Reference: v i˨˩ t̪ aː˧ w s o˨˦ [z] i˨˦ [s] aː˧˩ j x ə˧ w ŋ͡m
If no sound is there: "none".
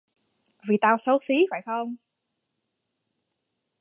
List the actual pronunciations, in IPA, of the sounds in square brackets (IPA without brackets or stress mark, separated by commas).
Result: s, f